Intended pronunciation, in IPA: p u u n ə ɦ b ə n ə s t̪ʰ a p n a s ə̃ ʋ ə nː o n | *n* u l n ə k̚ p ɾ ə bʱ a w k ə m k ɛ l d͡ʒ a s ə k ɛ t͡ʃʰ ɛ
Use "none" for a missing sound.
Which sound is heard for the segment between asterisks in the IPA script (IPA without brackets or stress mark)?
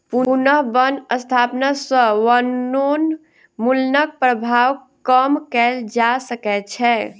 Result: m